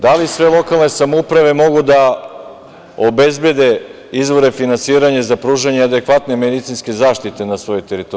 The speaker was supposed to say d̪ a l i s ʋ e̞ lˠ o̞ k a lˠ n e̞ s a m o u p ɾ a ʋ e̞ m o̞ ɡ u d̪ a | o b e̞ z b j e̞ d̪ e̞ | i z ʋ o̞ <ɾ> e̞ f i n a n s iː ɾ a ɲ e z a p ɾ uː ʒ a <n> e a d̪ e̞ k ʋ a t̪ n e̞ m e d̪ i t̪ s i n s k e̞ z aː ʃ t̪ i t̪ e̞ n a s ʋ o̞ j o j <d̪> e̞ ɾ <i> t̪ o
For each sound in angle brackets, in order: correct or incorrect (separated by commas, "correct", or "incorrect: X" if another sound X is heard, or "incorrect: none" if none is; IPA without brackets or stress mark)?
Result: correct, incorrect: ɲ, incorrect: t̪, correct